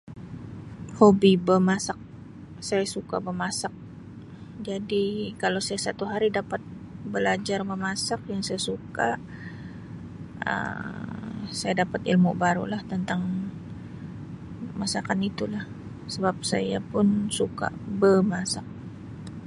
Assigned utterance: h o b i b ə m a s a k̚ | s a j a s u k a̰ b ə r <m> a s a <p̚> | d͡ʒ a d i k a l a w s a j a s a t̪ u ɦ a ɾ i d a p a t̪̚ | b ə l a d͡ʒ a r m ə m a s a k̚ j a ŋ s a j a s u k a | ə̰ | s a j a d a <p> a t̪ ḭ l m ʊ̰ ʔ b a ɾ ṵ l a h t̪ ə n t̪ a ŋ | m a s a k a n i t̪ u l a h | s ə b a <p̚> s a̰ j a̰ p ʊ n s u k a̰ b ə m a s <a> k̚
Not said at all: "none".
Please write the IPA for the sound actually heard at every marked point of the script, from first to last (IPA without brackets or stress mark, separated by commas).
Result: m, k̚, p, p̚, a